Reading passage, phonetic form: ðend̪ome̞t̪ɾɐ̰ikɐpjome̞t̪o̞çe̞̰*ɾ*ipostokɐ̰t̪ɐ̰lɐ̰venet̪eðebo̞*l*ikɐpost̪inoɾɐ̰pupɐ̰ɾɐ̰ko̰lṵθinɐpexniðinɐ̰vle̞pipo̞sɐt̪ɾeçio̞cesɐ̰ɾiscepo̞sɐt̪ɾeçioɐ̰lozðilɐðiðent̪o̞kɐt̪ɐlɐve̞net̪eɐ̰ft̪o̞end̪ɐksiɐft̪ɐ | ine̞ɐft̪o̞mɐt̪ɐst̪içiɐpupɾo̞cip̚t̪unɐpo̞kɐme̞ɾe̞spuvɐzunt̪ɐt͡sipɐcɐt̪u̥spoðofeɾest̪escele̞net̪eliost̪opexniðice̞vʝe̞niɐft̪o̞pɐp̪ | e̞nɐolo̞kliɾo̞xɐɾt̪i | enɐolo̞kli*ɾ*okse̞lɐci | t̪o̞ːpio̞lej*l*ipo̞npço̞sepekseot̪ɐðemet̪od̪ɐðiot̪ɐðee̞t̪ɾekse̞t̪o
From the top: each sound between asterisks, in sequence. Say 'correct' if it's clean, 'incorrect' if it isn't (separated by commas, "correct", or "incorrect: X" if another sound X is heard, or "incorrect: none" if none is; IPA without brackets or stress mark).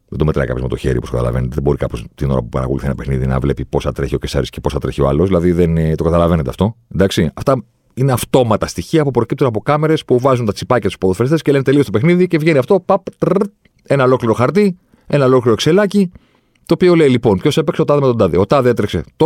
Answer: correct, incorrect: ɾ, correct, correct